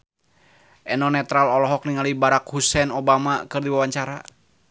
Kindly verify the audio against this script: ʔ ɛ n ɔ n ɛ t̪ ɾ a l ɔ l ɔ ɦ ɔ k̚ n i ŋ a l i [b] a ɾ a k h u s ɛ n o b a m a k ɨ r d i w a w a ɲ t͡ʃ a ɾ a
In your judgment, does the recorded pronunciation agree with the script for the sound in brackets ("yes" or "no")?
yes